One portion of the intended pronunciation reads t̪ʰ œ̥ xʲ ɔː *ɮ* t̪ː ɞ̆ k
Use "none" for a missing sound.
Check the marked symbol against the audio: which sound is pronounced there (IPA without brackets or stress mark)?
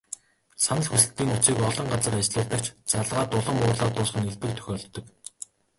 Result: ɮ